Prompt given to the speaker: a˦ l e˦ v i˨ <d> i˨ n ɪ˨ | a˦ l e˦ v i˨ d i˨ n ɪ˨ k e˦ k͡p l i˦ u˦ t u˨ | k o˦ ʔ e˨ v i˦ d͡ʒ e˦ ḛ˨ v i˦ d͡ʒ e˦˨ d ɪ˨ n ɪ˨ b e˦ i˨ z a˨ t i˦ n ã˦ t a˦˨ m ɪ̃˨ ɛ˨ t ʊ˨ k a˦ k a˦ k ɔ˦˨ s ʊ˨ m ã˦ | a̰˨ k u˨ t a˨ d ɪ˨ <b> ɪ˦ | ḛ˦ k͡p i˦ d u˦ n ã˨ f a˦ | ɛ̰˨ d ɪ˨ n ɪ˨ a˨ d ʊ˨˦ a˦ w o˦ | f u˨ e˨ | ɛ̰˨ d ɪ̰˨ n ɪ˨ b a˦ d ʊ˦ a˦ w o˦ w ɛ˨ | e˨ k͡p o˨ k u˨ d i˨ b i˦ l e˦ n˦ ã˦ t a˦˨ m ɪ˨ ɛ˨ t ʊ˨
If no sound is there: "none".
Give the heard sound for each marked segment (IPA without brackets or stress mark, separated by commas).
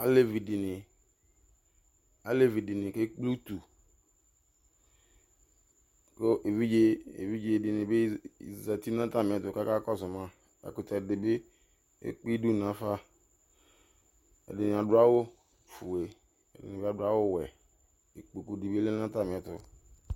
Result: d, b